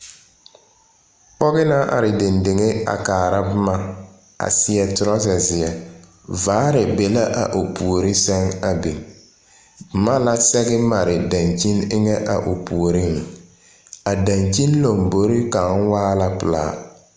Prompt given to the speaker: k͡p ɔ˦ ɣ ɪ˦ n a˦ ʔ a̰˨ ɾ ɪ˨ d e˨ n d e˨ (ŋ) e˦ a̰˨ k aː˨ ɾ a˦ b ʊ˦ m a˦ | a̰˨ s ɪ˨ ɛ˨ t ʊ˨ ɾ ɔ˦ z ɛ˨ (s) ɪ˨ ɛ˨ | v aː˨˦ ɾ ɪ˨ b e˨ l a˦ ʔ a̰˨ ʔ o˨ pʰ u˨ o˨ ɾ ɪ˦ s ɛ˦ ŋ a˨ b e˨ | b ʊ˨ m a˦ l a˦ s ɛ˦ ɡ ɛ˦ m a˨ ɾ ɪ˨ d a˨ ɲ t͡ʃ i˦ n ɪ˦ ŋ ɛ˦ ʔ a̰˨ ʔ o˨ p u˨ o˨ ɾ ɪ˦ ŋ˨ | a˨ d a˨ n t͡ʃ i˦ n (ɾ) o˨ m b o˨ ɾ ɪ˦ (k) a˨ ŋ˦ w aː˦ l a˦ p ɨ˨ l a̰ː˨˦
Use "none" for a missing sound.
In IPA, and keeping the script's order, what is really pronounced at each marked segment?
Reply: ŋ, z, l, k

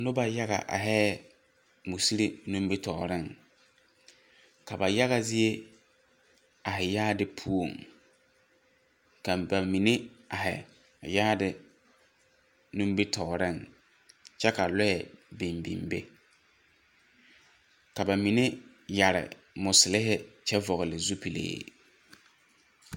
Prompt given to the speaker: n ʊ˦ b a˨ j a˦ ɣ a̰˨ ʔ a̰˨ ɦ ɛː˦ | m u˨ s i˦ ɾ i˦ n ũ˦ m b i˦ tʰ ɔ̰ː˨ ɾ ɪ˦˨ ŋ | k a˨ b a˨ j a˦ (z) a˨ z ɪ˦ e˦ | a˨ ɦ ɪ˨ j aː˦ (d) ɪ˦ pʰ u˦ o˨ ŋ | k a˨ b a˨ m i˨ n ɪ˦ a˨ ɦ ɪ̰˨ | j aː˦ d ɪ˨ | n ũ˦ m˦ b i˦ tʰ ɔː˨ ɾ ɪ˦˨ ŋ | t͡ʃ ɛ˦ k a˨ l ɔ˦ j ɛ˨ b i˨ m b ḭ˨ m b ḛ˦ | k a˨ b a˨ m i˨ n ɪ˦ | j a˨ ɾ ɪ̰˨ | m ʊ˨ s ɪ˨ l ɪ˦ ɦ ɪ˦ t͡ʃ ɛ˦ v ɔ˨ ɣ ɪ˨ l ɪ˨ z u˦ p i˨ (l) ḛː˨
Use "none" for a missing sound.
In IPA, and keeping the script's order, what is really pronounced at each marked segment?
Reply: ɣ, d, l

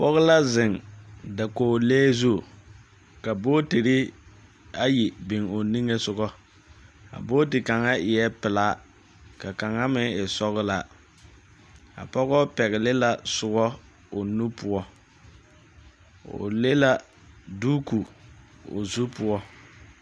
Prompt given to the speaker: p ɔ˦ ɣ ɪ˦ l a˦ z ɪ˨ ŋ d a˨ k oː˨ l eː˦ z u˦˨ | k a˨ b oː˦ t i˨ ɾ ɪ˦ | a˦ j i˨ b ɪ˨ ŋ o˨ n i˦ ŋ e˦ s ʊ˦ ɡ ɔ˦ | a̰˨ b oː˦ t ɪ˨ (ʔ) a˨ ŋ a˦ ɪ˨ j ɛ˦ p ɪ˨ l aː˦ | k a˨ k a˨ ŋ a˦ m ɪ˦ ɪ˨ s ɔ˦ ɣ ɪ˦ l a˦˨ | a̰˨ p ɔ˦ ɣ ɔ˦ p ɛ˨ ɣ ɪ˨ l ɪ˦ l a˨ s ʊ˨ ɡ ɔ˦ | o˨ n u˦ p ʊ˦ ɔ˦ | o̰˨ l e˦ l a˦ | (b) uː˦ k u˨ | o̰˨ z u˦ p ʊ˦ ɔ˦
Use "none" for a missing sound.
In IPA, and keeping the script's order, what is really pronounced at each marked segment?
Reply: k, d

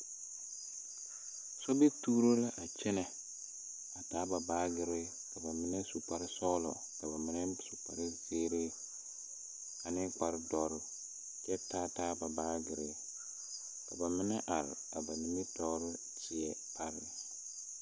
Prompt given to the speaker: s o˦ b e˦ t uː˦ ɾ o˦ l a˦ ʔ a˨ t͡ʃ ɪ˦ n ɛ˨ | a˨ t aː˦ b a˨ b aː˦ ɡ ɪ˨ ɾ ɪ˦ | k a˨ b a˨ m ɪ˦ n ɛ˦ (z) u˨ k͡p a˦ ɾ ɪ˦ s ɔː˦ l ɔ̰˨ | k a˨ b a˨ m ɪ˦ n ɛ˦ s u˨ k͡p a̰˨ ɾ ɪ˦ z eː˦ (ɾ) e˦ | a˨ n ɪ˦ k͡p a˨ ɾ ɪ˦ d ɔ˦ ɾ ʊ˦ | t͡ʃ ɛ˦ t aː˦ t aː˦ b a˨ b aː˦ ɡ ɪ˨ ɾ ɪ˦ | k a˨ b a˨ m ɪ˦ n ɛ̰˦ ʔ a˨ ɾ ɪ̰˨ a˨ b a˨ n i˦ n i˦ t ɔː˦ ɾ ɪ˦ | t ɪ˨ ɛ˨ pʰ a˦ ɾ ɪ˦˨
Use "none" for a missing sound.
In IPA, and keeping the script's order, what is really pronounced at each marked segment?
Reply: s, ɾ

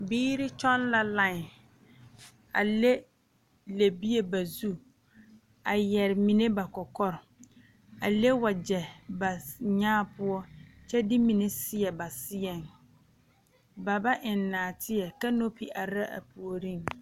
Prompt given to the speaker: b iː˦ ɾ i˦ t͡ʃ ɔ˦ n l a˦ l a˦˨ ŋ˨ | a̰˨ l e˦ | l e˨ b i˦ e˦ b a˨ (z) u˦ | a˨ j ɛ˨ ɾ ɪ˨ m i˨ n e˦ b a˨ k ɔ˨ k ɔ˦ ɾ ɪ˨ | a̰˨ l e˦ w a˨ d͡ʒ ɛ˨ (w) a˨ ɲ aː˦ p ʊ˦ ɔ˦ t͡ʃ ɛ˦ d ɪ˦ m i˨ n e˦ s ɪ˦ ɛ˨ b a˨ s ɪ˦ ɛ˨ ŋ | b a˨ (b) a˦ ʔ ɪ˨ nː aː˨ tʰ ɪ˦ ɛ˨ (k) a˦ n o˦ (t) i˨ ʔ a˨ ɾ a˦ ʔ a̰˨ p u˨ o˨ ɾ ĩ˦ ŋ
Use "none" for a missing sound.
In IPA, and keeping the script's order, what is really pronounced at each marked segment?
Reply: z, b, b, k, p

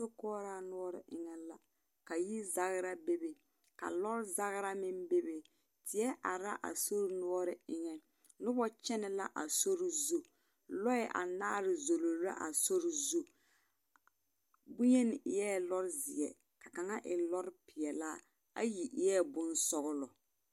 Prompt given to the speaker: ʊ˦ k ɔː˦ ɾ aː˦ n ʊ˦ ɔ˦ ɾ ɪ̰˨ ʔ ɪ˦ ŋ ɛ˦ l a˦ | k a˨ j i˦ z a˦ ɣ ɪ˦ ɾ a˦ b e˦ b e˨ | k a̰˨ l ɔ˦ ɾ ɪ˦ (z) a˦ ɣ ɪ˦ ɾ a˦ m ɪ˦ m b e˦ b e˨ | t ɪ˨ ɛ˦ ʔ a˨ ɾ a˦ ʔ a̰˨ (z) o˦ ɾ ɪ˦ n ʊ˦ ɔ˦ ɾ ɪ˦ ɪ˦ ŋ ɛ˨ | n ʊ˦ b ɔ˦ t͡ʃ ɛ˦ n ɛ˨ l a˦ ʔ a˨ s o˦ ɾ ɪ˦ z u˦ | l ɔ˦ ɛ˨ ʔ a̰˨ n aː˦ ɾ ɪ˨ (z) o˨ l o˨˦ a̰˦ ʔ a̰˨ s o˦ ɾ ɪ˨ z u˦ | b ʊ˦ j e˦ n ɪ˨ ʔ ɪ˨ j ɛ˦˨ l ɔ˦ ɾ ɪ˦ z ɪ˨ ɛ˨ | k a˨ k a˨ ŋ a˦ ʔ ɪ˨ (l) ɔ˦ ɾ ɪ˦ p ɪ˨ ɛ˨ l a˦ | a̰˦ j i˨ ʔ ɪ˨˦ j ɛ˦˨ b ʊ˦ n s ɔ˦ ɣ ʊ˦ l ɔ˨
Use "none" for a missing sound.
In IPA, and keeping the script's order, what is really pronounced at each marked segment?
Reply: z, s, z, l

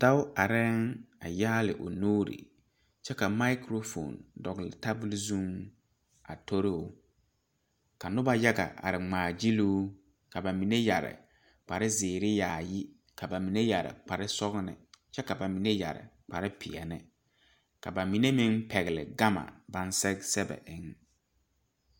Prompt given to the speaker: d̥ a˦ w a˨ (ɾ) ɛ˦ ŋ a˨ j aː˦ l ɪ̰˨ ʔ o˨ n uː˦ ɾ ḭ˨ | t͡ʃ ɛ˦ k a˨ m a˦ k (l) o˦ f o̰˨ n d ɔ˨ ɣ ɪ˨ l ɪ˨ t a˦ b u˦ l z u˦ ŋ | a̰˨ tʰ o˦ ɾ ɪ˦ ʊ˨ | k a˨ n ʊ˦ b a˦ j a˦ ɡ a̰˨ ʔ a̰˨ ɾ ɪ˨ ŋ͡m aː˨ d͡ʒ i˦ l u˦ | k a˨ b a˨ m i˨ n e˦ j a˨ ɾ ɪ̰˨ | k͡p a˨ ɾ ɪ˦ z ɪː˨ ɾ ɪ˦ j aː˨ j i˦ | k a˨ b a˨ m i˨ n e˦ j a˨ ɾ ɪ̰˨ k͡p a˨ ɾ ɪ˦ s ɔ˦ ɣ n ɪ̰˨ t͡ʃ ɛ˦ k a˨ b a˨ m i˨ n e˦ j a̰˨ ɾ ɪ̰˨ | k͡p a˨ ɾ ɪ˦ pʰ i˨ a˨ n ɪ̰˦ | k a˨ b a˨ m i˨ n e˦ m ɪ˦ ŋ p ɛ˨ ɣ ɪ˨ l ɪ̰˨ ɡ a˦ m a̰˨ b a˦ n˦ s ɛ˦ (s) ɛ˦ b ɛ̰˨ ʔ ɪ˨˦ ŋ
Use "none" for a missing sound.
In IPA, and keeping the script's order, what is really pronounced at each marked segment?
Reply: ɾ, ɾ, s

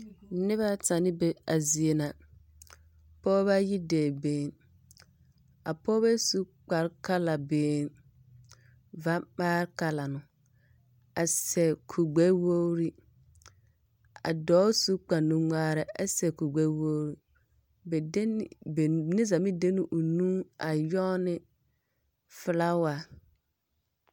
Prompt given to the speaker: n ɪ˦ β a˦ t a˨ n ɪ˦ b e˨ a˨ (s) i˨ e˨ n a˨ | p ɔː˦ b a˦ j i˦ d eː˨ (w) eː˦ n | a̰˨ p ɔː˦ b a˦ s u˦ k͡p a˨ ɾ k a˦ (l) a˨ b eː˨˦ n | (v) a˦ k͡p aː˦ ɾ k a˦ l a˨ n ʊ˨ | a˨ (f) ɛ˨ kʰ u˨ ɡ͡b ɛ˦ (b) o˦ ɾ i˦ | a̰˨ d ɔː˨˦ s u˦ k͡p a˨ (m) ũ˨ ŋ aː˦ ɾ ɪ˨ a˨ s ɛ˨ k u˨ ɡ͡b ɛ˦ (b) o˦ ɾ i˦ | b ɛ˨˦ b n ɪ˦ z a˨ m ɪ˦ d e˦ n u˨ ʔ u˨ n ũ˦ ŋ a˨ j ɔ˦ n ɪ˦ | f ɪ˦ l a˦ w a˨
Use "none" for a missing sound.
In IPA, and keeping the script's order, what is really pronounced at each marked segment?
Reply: z, b, l, v, s, w, n, w

